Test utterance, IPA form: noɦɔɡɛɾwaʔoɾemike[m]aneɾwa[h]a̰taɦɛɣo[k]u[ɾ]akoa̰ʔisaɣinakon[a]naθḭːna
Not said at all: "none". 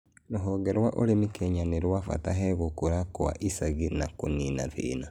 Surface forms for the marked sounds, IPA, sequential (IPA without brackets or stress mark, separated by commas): ɲ, f, k, ɾ, i